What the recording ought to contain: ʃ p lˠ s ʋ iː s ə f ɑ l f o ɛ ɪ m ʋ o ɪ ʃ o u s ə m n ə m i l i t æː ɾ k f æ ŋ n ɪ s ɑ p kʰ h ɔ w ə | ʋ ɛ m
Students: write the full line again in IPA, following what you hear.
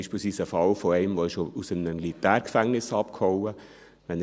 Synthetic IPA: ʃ p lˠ s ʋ iː s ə f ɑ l f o ɛ ɪ m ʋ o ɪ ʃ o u s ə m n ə m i l i t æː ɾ k f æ ŋ n ɪ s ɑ p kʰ h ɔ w ə | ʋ ɛ n